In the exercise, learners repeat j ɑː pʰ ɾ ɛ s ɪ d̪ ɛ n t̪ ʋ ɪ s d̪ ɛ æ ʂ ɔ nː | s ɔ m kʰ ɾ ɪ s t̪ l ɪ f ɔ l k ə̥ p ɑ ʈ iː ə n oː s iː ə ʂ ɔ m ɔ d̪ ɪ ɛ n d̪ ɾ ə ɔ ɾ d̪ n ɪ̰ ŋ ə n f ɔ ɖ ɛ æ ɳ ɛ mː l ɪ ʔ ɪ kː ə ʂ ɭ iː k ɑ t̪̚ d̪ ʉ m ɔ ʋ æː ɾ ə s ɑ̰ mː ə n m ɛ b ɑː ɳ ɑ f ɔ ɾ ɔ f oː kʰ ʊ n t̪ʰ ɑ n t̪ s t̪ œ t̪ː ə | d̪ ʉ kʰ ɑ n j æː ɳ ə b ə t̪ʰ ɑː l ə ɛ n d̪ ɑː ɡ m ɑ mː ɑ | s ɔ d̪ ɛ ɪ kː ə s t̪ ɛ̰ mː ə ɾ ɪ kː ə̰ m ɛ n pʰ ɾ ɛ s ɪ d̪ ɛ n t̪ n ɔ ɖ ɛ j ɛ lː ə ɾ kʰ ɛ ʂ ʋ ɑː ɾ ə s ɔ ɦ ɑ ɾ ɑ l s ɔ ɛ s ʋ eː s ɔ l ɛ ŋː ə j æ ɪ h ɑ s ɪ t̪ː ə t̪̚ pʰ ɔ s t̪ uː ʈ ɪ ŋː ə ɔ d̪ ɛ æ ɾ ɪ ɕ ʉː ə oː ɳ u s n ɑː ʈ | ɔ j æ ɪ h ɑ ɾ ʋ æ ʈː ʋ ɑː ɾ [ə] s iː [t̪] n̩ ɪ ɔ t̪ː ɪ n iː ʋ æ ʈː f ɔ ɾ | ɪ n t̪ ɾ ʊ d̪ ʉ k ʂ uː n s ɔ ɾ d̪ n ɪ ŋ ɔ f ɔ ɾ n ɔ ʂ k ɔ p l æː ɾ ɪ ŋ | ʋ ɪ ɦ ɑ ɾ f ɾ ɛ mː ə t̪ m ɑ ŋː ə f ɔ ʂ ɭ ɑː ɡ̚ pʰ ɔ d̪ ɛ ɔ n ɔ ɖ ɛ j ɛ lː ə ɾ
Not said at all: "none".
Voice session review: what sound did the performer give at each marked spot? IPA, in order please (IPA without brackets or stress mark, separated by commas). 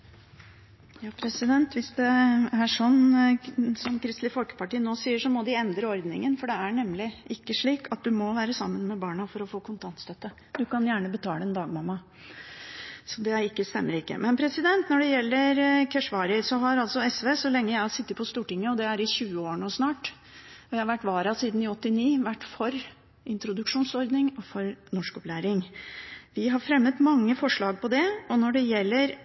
ɑ, d̪